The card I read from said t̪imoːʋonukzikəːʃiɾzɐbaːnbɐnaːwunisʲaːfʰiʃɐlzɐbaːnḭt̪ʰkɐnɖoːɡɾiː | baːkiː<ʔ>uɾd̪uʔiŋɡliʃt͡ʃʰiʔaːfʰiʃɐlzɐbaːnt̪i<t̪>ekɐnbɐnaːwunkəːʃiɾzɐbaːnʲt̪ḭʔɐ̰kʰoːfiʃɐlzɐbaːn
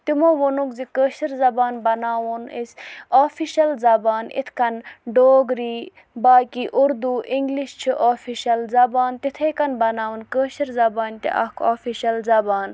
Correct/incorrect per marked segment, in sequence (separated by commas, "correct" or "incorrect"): correct, incorrect